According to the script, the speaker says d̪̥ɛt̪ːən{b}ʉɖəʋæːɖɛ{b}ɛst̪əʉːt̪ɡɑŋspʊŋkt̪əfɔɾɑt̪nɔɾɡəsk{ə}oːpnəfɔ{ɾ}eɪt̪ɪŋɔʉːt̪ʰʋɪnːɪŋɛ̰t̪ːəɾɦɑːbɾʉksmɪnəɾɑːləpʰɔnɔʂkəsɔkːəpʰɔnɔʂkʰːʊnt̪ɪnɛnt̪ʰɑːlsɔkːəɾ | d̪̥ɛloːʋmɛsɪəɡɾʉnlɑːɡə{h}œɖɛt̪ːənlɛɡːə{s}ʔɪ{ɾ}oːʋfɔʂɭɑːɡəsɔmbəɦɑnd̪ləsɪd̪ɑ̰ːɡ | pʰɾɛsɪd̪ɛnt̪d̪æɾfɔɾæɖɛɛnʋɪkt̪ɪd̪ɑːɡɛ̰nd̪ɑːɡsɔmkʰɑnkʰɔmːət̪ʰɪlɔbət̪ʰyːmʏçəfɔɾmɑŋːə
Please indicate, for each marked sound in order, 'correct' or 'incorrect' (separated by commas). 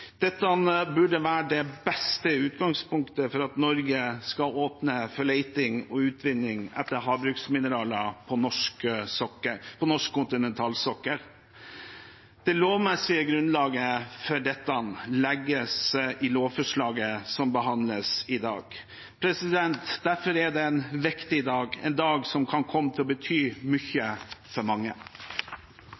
correct, correct, incorrect, incorrect, incorrect, correct, incorrect